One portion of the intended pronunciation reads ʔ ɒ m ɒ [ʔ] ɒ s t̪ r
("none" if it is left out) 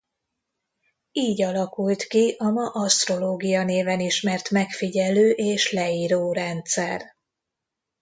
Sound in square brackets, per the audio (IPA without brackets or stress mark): ʔ